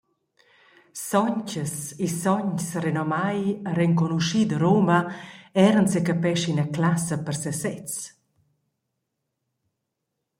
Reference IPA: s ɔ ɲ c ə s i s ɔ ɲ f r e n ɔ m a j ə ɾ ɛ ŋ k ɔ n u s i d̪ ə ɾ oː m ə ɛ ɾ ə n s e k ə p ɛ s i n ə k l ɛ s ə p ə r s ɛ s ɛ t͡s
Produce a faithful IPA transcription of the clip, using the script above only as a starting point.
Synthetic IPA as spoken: s ɔ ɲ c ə s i s ɔ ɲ s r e n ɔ m a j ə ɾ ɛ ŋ k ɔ n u ʃ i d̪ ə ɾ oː m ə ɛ ɾ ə n s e k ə p ɛ ʃ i n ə k l a s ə p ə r s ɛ s ɛ t͡s